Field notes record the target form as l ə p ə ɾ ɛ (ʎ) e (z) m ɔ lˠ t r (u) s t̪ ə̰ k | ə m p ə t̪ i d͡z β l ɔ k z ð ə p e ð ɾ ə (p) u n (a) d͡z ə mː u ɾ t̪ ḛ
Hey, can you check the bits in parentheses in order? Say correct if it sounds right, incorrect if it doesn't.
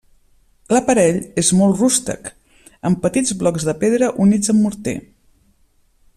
correct, correct, correct, incorrect, incorrect

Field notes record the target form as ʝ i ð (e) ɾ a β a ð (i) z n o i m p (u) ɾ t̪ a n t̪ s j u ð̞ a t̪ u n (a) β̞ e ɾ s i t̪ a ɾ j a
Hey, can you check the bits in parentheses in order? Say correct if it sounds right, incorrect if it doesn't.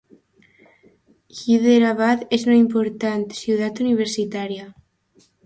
correct, incorrect, incorrect, incorrect

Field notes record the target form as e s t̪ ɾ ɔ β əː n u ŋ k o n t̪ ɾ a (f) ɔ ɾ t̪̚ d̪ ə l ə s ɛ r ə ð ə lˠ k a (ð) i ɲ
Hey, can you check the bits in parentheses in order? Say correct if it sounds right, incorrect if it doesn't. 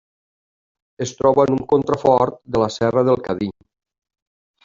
correct, correct

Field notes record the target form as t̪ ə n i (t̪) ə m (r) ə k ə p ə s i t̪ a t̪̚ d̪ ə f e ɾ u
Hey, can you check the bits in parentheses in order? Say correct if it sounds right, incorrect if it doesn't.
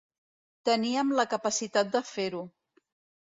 incorrect, incorrect

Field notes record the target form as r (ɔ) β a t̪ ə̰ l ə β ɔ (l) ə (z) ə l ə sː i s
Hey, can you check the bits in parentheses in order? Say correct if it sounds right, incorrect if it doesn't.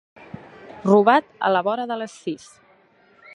incorrect, incorrect, incorrect

